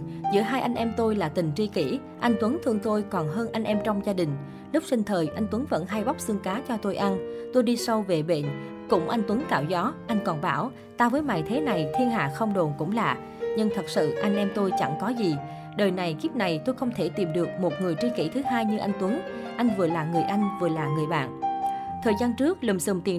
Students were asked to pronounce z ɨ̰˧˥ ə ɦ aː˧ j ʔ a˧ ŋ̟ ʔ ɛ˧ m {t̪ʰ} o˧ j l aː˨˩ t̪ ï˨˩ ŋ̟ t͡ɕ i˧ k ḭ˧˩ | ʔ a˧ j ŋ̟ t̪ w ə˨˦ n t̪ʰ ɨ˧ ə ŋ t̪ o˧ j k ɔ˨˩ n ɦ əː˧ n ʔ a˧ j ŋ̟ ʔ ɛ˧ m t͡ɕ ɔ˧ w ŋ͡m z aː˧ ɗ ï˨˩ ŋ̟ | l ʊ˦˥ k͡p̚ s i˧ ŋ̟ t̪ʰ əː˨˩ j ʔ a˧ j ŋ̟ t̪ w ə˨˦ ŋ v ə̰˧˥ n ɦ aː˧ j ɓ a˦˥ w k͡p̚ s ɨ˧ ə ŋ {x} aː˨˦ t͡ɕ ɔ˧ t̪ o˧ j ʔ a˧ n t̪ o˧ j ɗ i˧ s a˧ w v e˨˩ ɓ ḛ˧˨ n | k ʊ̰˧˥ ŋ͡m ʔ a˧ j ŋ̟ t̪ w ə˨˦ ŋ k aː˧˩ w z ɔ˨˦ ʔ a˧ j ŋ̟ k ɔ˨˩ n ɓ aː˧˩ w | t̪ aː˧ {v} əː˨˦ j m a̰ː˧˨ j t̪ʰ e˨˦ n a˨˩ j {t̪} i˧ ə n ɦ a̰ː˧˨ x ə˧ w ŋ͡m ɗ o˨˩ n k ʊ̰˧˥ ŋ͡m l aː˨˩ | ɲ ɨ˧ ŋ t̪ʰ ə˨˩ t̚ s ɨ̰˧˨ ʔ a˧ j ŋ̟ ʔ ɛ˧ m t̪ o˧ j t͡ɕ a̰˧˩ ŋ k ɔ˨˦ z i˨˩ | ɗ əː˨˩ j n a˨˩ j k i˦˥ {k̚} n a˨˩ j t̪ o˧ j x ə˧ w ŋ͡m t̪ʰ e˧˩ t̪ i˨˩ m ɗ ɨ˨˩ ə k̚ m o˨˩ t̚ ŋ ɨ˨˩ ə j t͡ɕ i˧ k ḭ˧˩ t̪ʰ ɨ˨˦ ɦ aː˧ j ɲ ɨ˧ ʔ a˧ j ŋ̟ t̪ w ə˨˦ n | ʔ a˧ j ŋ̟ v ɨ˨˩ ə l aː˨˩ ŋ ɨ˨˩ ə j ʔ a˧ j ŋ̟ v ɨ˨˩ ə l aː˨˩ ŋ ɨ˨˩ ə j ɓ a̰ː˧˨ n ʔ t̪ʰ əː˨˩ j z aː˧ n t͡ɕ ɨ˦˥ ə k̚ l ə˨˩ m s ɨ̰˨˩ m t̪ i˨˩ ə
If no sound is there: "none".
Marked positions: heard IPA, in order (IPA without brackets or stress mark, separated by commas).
t̪, k, v, t̪ʰ, p̚